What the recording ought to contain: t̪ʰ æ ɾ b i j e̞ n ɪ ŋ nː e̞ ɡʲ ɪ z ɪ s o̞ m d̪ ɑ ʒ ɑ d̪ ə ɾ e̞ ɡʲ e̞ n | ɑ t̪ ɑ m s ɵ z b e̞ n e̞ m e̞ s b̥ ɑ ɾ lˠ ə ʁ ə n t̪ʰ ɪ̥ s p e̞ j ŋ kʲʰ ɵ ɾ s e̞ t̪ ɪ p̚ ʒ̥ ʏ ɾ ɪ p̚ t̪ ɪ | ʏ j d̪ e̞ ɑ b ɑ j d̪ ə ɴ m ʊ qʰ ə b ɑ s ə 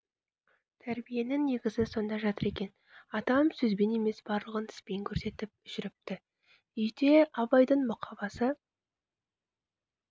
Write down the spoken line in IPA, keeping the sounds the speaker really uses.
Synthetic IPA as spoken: t̪ʰ æ ɾ b i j e̞ n ɪ ŋ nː e̞ ɡʲ ɪ z ɪ s o̞ n d̪ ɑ ʒ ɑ t̪ ə ɾ e̞ kʲ e̞ n | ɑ t̪ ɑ m s ɵ z b e̞ n e̞ m e̞ s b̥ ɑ ɾ lˠ ə ʁ ə n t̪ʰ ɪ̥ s p e̞ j ŋ kʲʰ ɵ ɾ s e̞ t̪ ɪ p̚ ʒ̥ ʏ ɾ ɪ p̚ t̪ ɪ | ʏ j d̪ e̞ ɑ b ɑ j d̪ ə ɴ m ʊ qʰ ɑ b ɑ s ə

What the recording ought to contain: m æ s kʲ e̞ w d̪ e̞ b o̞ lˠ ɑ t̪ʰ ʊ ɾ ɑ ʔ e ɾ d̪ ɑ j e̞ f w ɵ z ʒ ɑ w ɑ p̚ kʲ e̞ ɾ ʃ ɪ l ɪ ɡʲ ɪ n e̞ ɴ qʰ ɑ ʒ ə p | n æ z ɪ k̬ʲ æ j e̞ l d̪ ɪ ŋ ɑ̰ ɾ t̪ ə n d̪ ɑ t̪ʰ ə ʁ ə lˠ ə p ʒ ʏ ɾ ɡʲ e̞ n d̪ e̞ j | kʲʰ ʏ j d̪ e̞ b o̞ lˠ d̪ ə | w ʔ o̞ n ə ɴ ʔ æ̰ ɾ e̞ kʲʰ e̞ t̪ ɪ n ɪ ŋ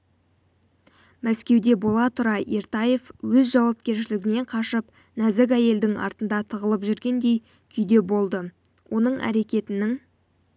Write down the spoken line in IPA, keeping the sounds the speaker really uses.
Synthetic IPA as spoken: m æ s kʲ e̞ w d̪ e̞ b o̞ lˠ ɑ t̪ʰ ʊ ɾ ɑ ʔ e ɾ t̪ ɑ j e̞ f w ɵ z ʒ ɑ w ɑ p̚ kʲ e̞ ɾ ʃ ɪ l ɪ ɡʲ ɪ n e̞ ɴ qʰ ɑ ʃ ə p | n æ z ɪ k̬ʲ æ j e̞ l d̪ ɪ ŋ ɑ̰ ɾ t̪ ə n d̪ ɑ t̪ʰ ə ʁ ə lˠ ə p ʒ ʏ ɾ ɡʲ e̞ n d̪ e̞ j | kʲʰ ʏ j d̪ e̞ b o̞ lˠ d̪ ə | w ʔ o̞ n ə ɴ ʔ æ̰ ɾ e̞ kʲ e̞ t̪ ɪ n ɪ ŋ

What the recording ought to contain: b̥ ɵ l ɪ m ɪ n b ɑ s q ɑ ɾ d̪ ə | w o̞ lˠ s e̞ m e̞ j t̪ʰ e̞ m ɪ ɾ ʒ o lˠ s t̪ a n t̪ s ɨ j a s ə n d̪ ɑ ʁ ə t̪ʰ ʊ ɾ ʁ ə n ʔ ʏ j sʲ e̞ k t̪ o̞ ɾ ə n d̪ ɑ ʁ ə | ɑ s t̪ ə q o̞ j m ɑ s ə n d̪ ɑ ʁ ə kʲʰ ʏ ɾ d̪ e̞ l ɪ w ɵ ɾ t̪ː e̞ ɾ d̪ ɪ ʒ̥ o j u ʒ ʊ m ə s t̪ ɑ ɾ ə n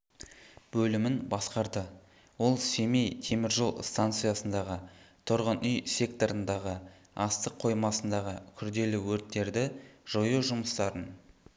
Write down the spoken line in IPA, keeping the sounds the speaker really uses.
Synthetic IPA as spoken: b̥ ɵ l ɪ m ɪ n b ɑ s q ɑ ɾ d̪ ə | w o̞ lˠ s e̞ m e̞ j t̪ʰ e̞ m ɪ ɾ ʒ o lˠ s t̪ a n t̪ s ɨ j a s ə n d̪ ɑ ʁ ə t̪ʰ ʊ ɾ ʁ ə n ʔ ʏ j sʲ e̞ k t̪ o̞ ɾ ə n d̪ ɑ ʁ ə | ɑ s t̪ ə qʰ o̞ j m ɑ s ə n d̪ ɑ ʁ ə kʲʰ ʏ ɾ d̪ e̞ l ɪ w ɵ ɾ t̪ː e̞ ɾ d̪ ɪ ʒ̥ o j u ʒ ʊ m ə s t̪ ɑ ɾ ə n

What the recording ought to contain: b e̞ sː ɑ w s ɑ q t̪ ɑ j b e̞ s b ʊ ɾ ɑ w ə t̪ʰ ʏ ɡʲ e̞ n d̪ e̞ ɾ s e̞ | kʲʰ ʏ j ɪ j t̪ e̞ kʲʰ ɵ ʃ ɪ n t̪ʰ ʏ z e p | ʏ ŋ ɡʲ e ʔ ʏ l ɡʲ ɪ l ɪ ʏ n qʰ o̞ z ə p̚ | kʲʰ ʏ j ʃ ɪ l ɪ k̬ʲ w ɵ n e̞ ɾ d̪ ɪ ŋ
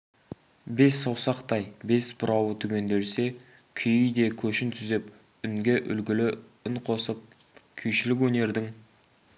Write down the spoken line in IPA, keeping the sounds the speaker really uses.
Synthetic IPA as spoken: b e̞ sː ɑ w s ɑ q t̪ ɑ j b e̞ s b ʊ ɾ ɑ w ə t̪ʰ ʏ ɡʲ e̞ n d̪ e̞ ɾ s e̞ | kʲʰ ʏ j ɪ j d̪ e̞ kʲʰ ɵ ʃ ɪ n t̪ʰ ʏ z e p | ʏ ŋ ɡʲ e ʔ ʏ l ɡʲ ɪ l ɪ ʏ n qʰ o̞ s ə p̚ | kʲʰ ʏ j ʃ ɪ l ɪ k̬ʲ w ɵ n e̞ ɾ d̪ ɪ ŋ

